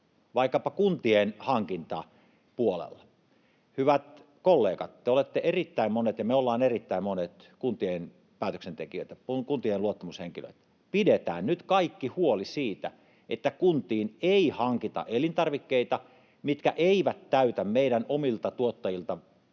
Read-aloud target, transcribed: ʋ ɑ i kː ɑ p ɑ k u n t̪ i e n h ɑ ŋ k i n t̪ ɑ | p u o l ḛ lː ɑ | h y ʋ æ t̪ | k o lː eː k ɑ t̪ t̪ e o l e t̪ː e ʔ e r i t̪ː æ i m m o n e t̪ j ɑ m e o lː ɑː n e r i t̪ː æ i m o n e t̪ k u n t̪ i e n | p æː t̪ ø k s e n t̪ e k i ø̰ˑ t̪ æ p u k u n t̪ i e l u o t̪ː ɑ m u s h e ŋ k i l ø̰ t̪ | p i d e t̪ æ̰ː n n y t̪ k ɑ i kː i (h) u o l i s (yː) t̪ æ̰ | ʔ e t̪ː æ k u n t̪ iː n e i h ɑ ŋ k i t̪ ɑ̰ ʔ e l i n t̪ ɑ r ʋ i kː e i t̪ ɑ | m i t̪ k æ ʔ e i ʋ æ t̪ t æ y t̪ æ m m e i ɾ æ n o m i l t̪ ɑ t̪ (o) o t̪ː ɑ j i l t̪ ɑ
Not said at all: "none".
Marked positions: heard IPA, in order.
h, iː, u

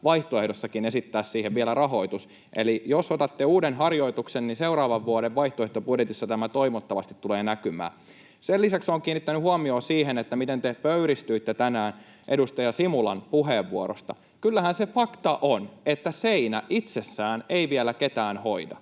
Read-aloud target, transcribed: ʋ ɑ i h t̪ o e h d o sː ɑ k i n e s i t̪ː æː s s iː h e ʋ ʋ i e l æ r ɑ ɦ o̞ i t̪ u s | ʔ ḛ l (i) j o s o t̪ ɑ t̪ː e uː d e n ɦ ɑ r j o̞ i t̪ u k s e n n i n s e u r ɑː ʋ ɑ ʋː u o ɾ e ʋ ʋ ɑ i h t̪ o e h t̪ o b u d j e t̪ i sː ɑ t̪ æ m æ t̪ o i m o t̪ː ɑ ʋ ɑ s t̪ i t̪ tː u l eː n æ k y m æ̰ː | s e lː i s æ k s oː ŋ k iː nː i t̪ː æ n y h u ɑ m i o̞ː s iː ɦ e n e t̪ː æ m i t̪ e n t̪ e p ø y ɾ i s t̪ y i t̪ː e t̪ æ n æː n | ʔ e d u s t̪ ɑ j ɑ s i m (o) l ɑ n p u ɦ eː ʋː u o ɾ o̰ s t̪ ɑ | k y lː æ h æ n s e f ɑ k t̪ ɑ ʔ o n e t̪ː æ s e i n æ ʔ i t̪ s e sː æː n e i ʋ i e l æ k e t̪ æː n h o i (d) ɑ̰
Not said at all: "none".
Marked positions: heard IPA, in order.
i, u, d

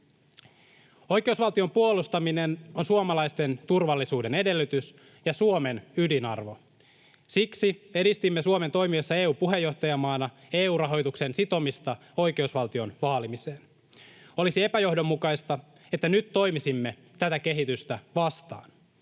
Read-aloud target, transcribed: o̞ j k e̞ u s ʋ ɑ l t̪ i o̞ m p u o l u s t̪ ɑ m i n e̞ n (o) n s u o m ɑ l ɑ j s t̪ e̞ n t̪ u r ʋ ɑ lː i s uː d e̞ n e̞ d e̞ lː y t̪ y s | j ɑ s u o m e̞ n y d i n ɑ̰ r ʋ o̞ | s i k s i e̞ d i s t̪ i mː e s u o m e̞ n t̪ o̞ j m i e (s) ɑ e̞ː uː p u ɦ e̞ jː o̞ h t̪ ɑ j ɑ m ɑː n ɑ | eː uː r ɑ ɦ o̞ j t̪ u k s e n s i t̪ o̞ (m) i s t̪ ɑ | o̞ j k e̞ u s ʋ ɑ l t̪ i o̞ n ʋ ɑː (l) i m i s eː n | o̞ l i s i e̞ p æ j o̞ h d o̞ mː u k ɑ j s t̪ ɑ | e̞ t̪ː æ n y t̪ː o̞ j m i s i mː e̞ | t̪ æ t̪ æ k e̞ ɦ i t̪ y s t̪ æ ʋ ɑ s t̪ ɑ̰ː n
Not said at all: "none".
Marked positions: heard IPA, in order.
o, sː, m, l

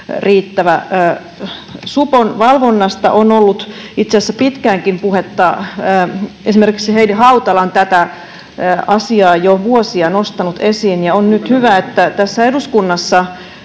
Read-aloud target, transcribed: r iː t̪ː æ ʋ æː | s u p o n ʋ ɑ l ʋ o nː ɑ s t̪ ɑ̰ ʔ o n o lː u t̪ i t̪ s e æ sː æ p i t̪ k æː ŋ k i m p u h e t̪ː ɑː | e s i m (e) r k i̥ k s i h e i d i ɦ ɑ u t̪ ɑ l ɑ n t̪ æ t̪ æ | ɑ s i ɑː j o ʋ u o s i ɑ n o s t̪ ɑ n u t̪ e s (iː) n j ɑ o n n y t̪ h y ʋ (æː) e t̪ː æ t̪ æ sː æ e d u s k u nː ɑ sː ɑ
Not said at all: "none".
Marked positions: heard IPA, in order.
e, iː, æ

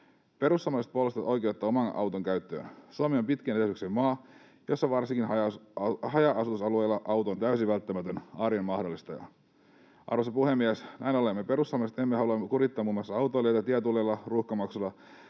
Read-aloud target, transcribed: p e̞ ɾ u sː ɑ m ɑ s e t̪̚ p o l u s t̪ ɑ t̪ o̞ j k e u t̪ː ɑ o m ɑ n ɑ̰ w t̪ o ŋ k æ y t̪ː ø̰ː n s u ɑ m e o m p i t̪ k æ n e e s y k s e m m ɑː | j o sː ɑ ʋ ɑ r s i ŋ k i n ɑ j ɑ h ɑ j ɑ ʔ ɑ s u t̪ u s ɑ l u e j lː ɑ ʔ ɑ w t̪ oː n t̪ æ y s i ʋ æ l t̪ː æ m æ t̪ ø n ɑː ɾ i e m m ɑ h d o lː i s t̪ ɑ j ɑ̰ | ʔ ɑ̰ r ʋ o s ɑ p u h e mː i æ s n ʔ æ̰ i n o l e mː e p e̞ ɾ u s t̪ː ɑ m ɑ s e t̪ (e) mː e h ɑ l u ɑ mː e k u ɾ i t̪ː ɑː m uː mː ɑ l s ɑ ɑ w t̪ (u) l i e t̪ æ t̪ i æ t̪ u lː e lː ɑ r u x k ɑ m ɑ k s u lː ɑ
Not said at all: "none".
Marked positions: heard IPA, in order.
e, o

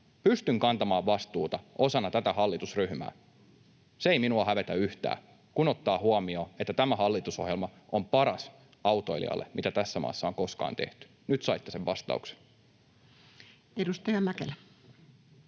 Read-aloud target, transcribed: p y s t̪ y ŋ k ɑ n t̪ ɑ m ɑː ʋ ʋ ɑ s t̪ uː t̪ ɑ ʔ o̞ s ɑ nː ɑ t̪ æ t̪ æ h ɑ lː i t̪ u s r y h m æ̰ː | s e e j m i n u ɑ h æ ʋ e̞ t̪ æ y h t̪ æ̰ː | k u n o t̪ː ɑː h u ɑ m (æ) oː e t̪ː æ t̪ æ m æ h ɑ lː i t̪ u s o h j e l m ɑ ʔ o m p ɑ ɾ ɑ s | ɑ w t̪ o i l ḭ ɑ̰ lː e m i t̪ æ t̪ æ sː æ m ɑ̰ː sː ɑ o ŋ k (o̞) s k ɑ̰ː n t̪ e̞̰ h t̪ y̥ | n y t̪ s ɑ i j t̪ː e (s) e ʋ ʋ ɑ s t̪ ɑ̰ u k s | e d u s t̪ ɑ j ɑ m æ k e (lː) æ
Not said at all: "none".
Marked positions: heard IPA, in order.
i, o̞, s, l

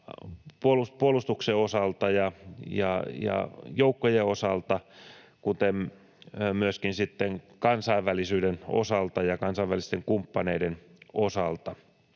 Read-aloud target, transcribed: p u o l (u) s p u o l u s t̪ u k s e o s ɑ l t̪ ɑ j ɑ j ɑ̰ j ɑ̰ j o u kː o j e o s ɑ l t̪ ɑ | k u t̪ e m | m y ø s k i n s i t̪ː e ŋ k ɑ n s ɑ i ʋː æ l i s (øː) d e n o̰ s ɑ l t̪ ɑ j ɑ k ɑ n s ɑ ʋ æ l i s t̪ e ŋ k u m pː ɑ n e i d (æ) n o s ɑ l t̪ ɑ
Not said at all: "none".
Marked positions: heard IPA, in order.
u, yː, e

